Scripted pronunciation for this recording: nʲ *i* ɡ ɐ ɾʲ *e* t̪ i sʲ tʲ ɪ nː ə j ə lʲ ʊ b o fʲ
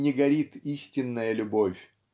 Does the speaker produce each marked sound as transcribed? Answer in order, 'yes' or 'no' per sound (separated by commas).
no, no